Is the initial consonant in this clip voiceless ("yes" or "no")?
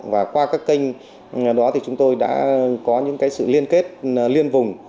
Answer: no